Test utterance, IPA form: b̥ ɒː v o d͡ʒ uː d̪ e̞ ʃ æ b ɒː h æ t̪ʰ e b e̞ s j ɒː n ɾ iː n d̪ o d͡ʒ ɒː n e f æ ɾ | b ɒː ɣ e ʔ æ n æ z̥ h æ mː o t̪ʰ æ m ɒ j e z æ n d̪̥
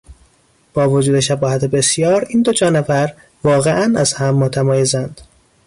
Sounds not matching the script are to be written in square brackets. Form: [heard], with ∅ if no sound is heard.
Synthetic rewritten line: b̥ ɒː v o d͡ʒ uː d̪ e̞ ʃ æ b ɒː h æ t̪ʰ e b e̞ s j ɒː [∅] ɾ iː n d̪ o d͡ʒ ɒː n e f æ ɾ | [v] ɒː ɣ e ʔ æ n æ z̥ h æ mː o t̪ʰ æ m [ɒː] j e z æ n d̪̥